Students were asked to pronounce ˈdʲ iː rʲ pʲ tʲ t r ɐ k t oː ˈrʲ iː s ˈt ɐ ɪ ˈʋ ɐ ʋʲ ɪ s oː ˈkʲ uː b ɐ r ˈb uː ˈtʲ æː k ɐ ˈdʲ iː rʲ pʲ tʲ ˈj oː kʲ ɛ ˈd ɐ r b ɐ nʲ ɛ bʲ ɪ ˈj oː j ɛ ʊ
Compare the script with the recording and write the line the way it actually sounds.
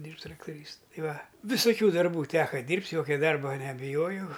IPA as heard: ˈdʲ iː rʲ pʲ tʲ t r ɐ k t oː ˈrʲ iː s ˈt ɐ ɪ ˈʋ ɐ ʋʲ ɪ s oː ˈkʲ uː d ɐ r ˈb uː ˈtʲ æː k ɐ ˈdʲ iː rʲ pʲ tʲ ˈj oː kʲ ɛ ˈd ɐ r b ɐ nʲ ɛ bʲ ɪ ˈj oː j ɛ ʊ